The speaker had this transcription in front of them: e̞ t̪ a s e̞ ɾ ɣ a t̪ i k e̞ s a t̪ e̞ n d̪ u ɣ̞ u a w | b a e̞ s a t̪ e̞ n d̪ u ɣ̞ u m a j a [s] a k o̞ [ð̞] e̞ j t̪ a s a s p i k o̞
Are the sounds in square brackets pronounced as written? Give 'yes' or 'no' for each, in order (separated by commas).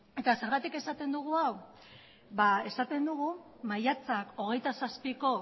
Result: no, no